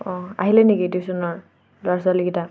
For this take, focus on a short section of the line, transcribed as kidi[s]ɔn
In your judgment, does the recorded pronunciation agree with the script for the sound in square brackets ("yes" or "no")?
yes